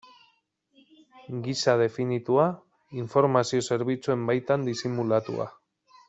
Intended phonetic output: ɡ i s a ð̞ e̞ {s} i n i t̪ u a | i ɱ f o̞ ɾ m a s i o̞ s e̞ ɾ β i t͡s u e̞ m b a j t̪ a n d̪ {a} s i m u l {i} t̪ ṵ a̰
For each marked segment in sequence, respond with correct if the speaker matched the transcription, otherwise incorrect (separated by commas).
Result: incorrect, incorrect, incorrect